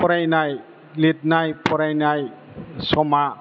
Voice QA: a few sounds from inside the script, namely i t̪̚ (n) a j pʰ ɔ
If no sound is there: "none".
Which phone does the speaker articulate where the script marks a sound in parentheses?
n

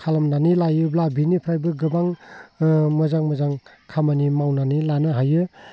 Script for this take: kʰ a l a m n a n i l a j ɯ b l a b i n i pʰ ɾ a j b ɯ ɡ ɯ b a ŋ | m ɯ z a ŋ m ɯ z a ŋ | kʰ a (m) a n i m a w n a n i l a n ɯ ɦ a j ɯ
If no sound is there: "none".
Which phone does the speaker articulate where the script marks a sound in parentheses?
m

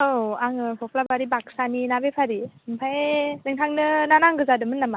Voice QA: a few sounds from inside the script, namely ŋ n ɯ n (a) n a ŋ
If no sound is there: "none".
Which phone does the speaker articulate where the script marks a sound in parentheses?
a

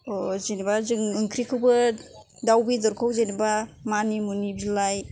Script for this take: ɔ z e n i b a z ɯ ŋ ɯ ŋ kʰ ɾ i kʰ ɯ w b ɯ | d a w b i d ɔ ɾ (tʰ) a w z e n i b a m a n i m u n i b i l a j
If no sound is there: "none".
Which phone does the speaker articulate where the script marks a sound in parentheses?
kʰ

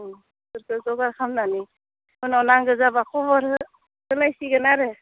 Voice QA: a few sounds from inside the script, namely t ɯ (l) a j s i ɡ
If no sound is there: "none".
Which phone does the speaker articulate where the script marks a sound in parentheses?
l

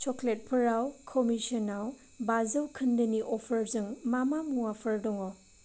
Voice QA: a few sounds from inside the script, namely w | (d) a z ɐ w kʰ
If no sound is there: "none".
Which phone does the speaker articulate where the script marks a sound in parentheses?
b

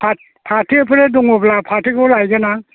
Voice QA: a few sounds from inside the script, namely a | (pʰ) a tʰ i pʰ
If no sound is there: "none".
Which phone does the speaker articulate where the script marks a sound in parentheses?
pʰ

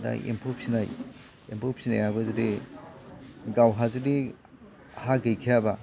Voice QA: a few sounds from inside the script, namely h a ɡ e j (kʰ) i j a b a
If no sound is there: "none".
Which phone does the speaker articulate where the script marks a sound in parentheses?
kʰ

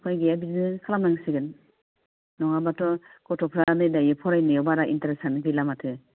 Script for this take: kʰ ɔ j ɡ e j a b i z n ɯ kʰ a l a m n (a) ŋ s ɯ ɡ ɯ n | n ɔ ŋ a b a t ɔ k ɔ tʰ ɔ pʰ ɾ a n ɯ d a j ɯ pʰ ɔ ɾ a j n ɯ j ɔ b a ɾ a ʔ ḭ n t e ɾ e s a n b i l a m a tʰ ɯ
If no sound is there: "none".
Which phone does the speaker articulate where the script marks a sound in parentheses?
a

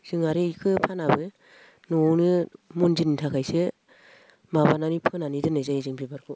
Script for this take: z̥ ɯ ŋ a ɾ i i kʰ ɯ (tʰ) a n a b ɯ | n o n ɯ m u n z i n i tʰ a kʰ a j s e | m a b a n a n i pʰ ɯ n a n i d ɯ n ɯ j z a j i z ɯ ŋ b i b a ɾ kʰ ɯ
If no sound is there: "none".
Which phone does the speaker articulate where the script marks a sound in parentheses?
pʰ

